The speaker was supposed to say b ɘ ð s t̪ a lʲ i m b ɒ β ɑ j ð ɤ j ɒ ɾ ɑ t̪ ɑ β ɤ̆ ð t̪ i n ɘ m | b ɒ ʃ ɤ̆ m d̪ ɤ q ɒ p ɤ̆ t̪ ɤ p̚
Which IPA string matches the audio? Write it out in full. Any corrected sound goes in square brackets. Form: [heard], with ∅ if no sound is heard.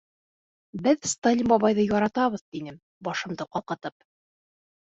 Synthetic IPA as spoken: b ɘ ð s t̪ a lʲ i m b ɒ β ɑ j ð ɤ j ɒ ɾ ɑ t̪ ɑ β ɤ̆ ð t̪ i n ɘ m | b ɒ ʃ ɤ̆ m d̪ ɤ q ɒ [q] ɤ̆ t̪ ɤ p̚